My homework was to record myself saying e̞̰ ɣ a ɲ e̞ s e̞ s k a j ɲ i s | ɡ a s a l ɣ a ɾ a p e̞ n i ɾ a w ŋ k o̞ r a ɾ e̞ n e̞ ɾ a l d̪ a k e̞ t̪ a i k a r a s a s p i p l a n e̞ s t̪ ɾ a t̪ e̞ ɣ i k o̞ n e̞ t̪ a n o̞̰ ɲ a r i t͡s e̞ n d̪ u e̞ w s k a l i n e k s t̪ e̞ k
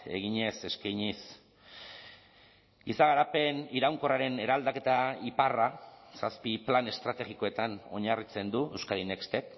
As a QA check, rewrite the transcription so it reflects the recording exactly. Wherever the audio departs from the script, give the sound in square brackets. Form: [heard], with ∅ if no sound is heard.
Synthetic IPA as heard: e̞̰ ɣ [i] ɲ e̞ s e̞ s k a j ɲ i s | ɡ [i] s a [∅] ɣ a ɾ a p e̞ n i ɾ a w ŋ k o̞ r a ɾ e̞ n e̞ ɾ a l d̪ a k e̞ t̪ a i [p] a r a s a s p i p l a n e̞ s t̪ ɾ a t̪ e̞ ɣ i k o̞ [∅] e̞ t̪ a n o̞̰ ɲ a r i t͡s e̞ n d̪ u e̞ w s k a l i n e k s t̪ e̞ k